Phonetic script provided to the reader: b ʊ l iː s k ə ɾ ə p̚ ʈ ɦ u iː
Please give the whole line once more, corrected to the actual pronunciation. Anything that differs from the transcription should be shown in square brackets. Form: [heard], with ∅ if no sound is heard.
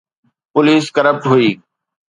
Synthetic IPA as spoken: [p] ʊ l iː s k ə ɾ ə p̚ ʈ ɦ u iː